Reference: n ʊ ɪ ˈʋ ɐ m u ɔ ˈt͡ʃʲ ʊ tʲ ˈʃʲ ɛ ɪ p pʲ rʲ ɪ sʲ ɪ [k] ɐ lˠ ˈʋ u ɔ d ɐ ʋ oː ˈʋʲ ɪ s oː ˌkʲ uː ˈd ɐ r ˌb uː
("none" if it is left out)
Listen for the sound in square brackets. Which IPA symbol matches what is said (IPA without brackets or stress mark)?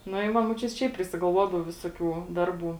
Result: ɡ